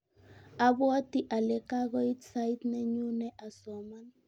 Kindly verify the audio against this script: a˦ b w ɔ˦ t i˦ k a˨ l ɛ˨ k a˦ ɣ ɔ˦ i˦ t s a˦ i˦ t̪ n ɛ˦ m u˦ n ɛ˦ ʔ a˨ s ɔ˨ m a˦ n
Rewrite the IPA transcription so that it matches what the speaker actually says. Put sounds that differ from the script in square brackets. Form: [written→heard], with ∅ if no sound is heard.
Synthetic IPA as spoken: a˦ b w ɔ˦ t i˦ [k→ʔ] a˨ l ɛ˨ k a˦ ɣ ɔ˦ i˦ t s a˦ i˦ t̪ n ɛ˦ [m→ɲ] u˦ n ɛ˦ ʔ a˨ s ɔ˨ m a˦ n